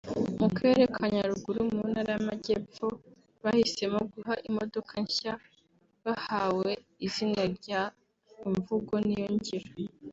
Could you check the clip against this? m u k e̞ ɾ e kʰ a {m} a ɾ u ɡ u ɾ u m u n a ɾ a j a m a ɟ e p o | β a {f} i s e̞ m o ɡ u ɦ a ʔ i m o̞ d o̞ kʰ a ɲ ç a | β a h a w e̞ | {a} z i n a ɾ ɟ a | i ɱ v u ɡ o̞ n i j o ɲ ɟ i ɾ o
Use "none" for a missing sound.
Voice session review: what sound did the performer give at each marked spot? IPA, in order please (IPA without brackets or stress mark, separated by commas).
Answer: ɲ, h, i